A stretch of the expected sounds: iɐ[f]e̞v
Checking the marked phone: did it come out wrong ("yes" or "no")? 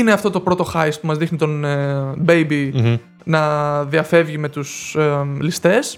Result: no